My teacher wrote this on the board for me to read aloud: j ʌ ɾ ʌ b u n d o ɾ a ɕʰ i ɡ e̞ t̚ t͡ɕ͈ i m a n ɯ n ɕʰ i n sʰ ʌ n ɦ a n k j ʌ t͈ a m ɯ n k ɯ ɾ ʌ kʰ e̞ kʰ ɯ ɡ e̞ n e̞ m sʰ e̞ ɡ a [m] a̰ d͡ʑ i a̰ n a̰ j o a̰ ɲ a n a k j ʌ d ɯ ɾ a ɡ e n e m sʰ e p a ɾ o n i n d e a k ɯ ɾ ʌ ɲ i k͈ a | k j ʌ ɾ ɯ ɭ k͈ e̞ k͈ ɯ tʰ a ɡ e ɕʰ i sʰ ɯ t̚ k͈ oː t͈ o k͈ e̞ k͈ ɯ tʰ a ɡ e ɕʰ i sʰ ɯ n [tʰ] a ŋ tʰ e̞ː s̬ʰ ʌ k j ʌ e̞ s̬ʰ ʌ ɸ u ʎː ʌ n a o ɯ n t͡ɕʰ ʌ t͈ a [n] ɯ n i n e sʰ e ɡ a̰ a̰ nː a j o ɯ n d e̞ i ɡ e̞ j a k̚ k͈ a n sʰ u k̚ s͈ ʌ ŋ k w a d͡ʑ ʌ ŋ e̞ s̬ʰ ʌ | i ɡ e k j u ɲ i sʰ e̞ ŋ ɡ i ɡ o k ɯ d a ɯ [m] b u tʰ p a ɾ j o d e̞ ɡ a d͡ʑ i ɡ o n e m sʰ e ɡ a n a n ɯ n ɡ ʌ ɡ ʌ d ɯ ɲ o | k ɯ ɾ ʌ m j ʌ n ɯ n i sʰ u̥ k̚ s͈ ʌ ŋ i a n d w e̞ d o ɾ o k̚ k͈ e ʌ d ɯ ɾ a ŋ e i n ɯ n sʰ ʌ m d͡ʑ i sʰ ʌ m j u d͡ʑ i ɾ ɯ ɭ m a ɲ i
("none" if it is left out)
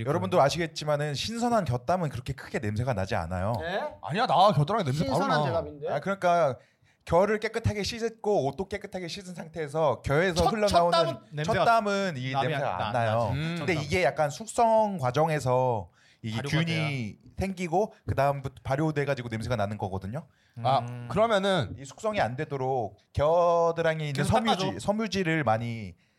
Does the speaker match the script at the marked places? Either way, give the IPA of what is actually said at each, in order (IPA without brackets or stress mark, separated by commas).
n, sʰ, m, m